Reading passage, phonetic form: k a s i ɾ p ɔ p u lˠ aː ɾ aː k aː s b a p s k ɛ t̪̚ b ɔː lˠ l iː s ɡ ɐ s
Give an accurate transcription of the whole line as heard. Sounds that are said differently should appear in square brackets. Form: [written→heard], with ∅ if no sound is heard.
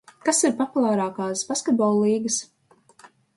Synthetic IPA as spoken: k a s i ɾ p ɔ p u lˠ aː ɾ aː k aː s b a [p→∅] s k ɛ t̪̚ b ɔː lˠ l iː [s→∅] ɡ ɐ s